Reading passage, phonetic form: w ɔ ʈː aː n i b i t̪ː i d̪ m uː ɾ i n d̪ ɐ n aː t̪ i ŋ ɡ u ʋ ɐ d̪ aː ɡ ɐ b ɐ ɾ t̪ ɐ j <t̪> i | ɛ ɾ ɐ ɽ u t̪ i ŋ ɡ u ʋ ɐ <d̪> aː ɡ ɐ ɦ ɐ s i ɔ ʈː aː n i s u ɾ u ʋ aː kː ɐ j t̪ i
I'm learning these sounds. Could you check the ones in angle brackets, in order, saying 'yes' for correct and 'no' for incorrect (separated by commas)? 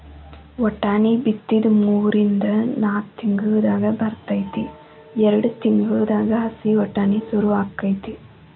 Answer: yes, yes